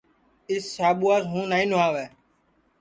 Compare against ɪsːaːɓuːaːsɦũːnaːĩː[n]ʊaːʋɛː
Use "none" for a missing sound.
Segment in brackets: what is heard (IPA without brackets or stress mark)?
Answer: n